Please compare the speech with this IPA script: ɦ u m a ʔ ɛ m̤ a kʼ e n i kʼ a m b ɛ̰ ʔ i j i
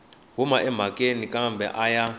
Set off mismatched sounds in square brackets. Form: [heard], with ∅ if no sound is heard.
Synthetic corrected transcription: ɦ u m a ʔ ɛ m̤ a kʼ e n i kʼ a m b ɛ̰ ʔ [a] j [a]